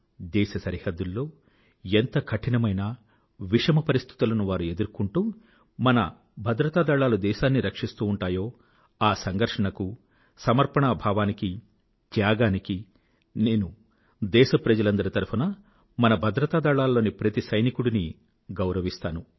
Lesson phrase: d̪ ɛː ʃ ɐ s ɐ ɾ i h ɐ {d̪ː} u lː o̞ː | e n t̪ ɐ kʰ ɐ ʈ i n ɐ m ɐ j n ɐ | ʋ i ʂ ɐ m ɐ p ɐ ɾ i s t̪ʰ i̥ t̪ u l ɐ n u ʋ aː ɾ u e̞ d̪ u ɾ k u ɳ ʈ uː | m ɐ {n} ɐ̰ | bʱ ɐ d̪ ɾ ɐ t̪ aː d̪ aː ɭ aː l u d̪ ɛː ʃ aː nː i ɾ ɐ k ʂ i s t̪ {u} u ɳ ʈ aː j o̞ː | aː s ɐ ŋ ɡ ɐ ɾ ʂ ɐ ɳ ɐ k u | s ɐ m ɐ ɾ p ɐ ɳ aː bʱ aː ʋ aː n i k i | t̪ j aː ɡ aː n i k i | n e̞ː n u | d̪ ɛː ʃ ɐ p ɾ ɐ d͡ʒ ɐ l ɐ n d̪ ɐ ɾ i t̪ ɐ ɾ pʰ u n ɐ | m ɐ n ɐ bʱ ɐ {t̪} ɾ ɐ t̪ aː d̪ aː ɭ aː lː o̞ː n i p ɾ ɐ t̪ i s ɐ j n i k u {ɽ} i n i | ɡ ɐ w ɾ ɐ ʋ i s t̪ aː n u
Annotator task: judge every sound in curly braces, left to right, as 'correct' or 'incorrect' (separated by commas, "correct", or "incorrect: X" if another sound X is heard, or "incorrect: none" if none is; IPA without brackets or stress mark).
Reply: correct, correct, incorrect: uː, incorrect: d̪, correct